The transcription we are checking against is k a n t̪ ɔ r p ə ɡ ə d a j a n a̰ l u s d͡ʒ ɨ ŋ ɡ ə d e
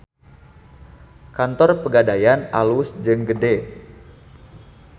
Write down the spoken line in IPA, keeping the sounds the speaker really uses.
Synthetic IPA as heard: k a n t̪ ɔ r p ə ɡ a d a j a n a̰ l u s d͡ʒ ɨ ŋ ɡ ə d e